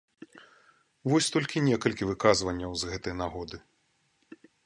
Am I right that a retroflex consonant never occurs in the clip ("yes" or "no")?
yes